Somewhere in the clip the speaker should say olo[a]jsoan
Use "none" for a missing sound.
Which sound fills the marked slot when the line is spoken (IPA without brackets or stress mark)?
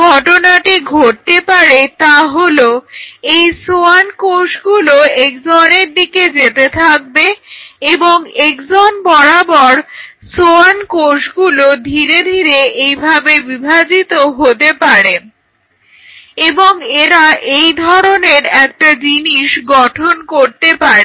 e